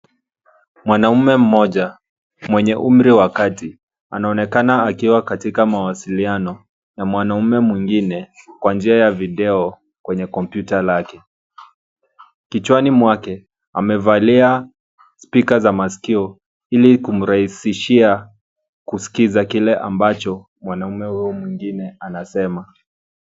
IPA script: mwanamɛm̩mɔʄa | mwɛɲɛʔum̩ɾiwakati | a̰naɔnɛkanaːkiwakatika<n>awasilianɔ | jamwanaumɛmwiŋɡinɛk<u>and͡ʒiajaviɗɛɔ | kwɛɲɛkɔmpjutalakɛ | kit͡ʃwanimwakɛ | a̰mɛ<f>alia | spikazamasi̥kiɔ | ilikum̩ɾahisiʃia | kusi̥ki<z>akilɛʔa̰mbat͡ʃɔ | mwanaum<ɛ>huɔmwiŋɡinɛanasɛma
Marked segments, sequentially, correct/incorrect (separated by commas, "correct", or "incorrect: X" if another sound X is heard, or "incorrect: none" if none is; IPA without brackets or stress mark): incorrect: m, incorrect: w, incorrect: v, correct, correct